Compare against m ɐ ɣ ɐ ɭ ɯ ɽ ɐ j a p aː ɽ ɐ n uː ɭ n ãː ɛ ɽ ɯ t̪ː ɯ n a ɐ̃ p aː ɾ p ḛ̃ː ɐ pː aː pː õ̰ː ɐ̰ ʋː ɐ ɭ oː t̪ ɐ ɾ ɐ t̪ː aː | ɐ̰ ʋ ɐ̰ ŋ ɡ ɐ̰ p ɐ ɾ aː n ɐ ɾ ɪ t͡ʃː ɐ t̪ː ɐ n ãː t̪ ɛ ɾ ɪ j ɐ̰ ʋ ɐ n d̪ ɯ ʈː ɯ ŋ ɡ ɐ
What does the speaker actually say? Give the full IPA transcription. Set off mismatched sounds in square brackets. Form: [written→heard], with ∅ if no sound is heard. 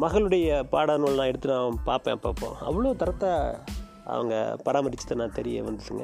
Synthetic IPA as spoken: m ɐ ɣ ɐ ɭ ɯ ɽ ɐ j [a→ɐ] p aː ɽ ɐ n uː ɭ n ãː ɛ ɽ ɯ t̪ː ɯ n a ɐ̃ p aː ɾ p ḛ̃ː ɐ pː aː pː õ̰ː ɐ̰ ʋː ɐ ɭ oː t̪ ɐ ɾ ɐ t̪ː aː | ɐ̰ ʋ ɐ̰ ŋ ɡ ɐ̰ p ɐ ɾ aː [n→m] ɐ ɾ ɪ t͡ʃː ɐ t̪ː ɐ n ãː t̪ ɛ ɾ ɪ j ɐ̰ ʋ ɐ n d̪ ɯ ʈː ɯ ŋ ɡ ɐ